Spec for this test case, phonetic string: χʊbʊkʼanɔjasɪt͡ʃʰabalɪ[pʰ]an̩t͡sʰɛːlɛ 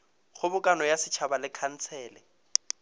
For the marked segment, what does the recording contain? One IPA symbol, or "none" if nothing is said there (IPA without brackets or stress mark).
kʰ